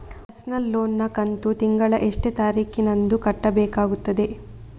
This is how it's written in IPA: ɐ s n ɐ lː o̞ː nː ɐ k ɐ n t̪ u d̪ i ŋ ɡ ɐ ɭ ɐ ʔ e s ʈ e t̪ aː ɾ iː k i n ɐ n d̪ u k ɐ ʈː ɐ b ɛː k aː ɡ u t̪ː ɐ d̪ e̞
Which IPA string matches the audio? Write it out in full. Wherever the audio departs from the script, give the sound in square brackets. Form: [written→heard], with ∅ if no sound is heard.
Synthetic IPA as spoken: ɐ s n ɐ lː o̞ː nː ɐ k ɐ n t̪ u [d̪→t̪] i ŋ ɡ ɐ ɭ ɐ ʔ e [s→ʂ] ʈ e t̪ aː ɾ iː k i n ɐ n d̪ u k ɐ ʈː ɐ b ɛː k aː ɡ u t̪ː ɐ d̪ e̞